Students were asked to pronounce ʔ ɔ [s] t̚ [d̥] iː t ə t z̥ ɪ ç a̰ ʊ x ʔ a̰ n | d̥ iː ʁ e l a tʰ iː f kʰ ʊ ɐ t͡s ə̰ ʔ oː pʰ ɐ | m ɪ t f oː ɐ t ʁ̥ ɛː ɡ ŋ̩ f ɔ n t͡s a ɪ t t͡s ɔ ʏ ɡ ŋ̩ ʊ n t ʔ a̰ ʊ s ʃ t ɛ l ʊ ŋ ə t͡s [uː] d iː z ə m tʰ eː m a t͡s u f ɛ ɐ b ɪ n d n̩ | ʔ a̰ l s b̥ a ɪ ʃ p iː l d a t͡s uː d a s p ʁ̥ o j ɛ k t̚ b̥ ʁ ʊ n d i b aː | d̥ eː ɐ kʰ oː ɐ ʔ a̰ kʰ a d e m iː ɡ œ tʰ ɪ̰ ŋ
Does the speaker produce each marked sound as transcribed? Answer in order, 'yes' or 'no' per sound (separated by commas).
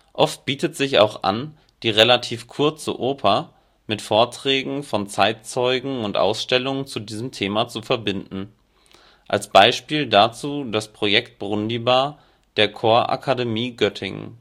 no, no, no